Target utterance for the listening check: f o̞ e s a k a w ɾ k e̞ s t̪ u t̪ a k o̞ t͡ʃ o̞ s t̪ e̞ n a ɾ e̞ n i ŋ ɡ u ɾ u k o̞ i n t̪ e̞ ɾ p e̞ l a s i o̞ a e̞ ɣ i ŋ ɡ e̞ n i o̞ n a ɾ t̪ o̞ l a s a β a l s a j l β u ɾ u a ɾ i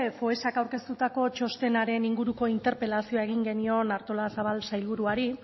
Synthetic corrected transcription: f o̞ e s a k a w ɾ k e̞ s t̪ u t̪ a k o̞ t͡ʃ o̞ s t̪ e̞ n a ɾ e̞ n i ŋ ɡ u ɾ u k o̞ i n t̪ e̞ ɾ p e̞ l a s i o̞ a e̞ ɣ i ŋ ɡ e̞ n i o̞ n a ɾ t̪ o̞ l a s a β a l s a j l β u ɾ u a ɾ i

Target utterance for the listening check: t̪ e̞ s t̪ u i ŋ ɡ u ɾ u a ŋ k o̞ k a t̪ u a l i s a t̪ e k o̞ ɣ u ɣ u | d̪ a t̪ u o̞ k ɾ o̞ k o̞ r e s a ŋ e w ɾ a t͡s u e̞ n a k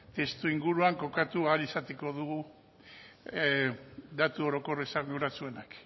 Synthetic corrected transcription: t̪ e̞ s t̪ u i ŋ ɡ u ɾ u a ŋ k o̞ k a t̪ u a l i s a t̪ e k o̞ ð u ɣ u | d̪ a t̪ u o̞ ɾ o̞ k o̞ r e s a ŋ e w ɾ a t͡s u e̞ n a k

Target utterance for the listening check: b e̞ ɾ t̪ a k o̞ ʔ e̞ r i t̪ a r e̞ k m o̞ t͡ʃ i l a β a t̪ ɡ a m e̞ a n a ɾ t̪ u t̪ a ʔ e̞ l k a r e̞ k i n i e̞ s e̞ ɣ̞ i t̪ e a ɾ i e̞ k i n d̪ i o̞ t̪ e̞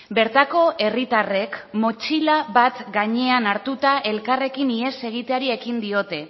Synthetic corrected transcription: b e̞ ɾ t̪ a k o̞ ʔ e̞ r i t̪ a r e̞ k m o̞ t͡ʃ i l a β a t̪ ɡ a ɲ e̞ a n a ɾ t̪ u t̪ a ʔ e̞ l k a r e̞ k i n i e̞ s e̞ ɣ̞ i t̪ e a ɾ i e̞ k i n d̪ i o̞ t̪ e̞

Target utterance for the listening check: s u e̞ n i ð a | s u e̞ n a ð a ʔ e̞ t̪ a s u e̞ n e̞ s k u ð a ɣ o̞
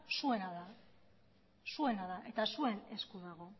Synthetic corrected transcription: s u e̞ n a ð a | s u e̞ n a ð a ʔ e̞ t̪ a s u e̞ n e̞ s k u ð a ɣ o̞

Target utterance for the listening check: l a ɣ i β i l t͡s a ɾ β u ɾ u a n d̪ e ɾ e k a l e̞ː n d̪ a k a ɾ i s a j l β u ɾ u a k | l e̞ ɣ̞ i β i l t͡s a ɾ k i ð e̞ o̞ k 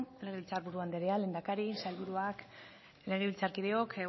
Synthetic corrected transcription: l e ɣ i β i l t͡s a ɾ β u ɾ u a n d̪ e ɾ e a l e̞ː n d̪ a k a ɾ i s a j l β u ɾ u a k | l e̞ ɣ̞ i β i l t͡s a ɾ k i ð e̞ o̞ k

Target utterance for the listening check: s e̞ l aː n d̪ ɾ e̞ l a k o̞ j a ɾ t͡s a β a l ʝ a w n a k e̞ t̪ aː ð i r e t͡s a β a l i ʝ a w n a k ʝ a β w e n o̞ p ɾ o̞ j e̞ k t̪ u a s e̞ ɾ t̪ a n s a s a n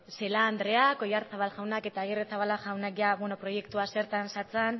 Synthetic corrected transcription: s e̞ l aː n d̪ ɾ e̞ a k o̞ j a ɾ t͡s a β a l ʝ a w n a k e̞ t̪ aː ɣ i r e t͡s a β a l a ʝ a w n a k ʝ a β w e n o̞ p ɾ o̞ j e̞ k t̪ u a s e̞ ɾ t̪ a n s a t͡s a n

